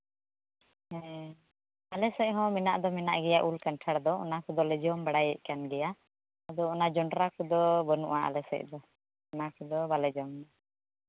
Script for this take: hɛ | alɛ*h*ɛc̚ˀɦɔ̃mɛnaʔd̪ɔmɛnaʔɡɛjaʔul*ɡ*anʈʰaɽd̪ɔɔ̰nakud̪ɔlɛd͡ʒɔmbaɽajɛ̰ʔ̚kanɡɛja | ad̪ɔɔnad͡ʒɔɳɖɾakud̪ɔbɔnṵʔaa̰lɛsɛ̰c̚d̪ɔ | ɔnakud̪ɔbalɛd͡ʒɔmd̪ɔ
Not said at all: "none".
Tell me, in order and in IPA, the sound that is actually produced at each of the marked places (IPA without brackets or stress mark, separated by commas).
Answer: s, k